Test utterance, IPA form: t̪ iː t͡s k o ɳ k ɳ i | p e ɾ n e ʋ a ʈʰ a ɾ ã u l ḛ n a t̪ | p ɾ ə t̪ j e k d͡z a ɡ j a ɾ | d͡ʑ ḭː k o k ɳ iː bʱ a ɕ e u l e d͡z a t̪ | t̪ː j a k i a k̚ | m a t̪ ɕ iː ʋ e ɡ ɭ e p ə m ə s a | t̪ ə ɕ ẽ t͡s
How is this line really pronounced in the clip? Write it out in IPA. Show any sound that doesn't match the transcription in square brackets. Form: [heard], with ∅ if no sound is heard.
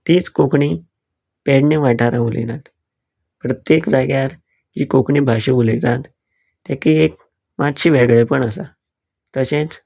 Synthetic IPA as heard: t̪ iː t͡s k o [∅] k ɳ i | p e [ɽ] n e ʋ a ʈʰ a ɾ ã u l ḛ n a t̪ | p ɾ ə t̪ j e k d͡z a ɡ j a ɾ | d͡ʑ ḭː k o k ɳ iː bʱ a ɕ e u l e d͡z a t̪ | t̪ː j a k i [e] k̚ | m a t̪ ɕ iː ʋ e ɡ ɭ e p ə [ɳ] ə s a | t̪ ə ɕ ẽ t͡s